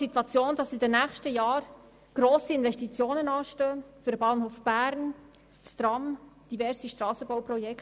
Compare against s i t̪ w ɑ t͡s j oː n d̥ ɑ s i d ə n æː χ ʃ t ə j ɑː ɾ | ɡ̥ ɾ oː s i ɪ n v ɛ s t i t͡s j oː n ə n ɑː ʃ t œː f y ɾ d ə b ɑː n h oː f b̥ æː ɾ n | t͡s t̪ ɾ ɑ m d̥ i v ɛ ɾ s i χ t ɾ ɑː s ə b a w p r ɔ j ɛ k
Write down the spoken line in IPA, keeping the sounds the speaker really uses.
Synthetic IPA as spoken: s i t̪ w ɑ t͡s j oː n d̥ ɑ s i d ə n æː χ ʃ t ə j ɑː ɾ | ɡ̥ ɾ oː s i ɪ n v ɛ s t i t͡s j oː n ə n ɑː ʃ t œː f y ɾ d ə b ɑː n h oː f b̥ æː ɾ n | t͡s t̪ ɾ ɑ m d̥ i v ɛ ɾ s i ʃ t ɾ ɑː s ə b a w p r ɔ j ɛ k